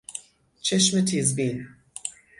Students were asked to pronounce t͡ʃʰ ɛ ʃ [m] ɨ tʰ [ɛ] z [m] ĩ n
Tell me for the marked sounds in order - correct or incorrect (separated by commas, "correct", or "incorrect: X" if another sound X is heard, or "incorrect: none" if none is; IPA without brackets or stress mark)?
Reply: correct, incorrect: i, incorrect: b